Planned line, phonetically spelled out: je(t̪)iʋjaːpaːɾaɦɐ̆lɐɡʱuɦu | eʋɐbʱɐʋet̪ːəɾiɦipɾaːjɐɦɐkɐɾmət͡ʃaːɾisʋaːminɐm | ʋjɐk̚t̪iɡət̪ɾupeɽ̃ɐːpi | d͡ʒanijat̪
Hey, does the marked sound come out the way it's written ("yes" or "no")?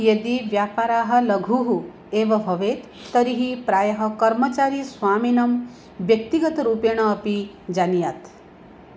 no